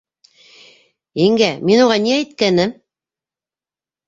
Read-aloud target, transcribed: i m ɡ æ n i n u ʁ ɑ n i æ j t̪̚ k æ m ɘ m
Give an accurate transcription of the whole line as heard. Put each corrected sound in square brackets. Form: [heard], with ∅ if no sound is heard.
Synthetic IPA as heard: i [ŋ] ɡ æ [m] i n u ʁ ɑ n i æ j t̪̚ k æ [n] ɘ m

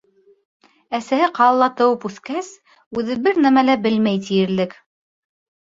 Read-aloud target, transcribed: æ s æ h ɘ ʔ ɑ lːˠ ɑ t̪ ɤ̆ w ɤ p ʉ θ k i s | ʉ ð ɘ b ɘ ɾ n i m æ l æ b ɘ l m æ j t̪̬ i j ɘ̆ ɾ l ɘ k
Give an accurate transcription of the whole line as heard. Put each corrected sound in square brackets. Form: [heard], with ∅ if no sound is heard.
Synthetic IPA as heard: æ s æ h ɘ [q] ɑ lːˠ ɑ t̪ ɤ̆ w ɤ p ʉ θ k [æ] s | ʉ ð ɘ b ɘ ɾ n [æ] m æ l æ b ɘ l m æ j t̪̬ i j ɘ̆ ɾ l ɘ k

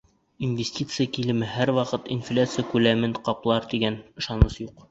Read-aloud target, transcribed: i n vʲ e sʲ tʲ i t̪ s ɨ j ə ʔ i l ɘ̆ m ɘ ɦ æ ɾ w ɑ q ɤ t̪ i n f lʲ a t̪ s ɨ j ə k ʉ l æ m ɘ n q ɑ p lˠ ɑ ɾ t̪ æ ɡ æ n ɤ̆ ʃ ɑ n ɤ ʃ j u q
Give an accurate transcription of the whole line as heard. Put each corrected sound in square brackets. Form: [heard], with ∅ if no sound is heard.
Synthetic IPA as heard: i n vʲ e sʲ tʲ i t̪ s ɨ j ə [k] i l ɘ̆ m ɘ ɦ æ ɾ w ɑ q ɤ t̪ i n f lʲ a t̪ s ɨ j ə k ʉ l æ m ɘ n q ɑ p lˠ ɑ ɾ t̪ [i] ɡ æ n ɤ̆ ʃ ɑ n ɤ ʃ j u q

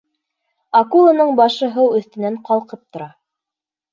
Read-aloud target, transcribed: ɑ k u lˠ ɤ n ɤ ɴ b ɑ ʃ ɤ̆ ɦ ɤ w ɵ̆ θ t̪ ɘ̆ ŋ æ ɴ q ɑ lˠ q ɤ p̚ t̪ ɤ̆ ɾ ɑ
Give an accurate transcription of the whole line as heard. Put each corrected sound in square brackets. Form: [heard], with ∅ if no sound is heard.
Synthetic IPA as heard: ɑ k u lˠ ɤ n ɤ ɴ b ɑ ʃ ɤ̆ ɦ ɤ w ɵ̆ θ t̪ ɘ̆ [n] æ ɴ q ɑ lˠ q ɤ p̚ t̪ [ŏ] ɾ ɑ

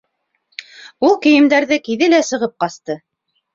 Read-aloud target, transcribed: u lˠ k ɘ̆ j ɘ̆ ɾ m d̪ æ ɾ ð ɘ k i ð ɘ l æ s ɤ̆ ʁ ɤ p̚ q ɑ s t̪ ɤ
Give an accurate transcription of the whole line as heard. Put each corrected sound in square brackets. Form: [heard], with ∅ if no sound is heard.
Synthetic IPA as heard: u lˠ k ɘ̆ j ɘ̆ [∅] m d̪ æ ɾ ð ɘ k i ð ɘ l æ s ɤ̆ ʁ ɤ p̚ q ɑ s t̪ ɤ

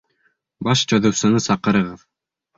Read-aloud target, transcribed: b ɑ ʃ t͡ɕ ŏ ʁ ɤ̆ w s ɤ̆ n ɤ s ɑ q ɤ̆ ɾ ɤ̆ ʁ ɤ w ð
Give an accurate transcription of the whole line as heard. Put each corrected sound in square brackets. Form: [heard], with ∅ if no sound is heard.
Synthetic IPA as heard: b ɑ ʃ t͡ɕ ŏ [ð] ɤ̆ w s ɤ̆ n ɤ s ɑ q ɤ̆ ɾ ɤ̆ ʁ ɤ [∅] ð

